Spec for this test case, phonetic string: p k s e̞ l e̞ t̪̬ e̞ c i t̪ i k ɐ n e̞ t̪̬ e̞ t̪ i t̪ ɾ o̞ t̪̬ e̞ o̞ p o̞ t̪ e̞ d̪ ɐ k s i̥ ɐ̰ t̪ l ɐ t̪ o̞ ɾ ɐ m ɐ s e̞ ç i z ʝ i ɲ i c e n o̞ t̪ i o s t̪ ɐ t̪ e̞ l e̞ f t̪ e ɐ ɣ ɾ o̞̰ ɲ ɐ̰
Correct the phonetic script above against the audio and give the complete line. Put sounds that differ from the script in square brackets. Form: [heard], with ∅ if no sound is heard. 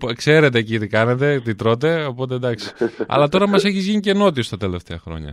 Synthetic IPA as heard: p k s e̞ [ɾ] e̞ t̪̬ e̞ c i t̪ i k ɐ n e̞ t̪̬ e̞ t̪ i t̪ ɾ o̞ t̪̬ e̞ o̞ p o̞ t̪ e̞ d̪ ɐ k s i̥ ɐ̰ [∅] l ɐ t̪ o̞ ɾ ɐ m ɐ s e̞ ç i z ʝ i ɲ i c e n o̞ t̪ i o s t̪ ɐ t̪ e̞ l e̞ f t̪ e ɐ [x] ɾ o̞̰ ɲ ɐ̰